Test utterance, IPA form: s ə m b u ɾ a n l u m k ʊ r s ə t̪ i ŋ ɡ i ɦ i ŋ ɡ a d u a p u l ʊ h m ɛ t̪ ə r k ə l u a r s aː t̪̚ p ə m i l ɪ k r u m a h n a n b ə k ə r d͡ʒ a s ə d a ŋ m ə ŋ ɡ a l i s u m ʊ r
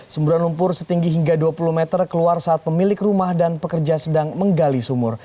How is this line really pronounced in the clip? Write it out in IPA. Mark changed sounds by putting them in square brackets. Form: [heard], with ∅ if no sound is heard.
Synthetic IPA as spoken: s ə m b u ɾ a n l u m [p] ʊ r s ə t̪ i ŋ ɡ i ɦ i ŋ ɡ a d u a p u l [u] h m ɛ t̪ ə r k ə l u a r s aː t̪̚ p ə m i l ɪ k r u m a h [d] a n [p] ə k ə r d͡ʒ a s ə d a ŋ m ə ŋ ɡ a l i s u m ʊ r